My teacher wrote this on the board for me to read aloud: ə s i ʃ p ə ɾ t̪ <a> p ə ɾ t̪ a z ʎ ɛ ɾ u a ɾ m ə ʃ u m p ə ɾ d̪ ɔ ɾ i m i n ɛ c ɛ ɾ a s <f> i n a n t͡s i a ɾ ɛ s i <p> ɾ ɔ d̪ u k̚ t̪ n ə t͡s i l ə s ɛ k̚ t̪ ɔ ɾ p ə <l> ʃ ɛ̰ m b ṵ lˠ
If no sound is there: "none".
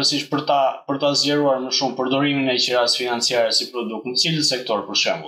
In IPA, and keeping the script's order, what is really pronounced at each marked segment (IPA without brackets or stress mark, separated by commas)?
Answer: a, f, p, ɾ